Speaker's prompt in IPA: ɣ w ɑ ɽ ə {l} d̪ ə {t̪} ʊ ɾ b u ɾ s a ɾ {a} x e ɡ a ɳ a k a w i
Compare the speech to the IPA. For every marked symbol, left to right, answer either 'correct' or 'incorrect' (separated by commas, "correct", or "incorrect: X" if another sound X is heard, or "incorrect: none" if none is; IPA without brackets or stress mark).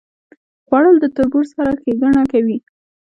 correct, correct, correct